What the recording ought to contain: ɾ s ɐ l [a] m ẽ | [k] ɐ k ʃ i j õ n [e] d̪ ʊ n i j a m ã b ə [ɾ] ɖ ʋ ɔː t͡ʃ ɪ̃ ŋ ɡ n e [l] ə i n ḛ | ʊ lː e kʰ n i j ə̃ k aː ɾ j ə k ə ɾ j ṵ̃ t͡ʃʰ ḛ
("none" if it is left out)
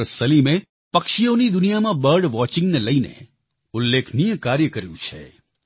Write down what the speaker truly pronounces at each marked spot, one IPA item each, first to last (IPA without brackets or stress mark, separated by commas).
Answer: i, p, i, ɾ, l